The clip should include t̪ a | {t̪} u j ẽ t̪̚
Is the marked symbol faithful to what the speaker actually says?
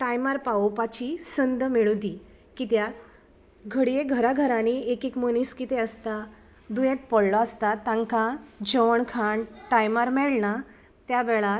no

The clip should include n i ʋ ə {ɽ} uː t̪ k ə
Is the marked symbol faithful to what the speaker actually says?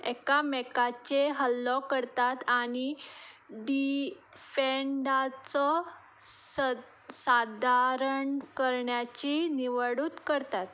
yes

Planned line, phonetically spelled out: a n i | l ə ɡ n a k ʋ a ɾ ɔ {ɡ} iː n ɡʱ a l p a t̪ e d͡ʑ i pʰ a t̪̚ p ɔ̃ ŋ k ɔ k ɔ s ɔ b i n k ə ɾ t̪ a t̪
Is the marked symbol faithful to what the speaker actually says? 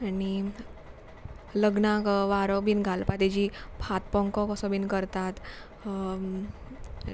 no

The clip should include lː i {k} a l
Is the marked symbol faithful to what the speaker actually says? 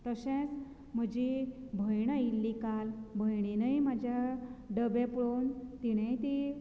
yes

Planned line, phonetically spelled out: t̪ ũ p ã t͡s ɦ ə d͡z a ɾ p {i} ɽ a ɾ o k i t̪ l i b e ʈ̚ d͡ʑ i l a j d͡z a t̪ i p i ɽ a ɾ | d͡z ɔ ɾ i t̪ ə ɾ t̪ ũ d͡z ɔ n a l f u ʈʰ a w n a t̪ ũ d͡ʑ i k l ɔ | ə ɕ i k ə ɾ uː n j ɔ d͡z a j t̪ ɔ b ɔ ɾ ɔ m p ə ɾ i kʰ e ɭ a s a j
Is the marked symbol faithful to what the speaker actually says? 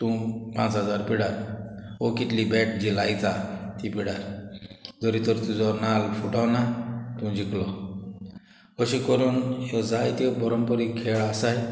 yes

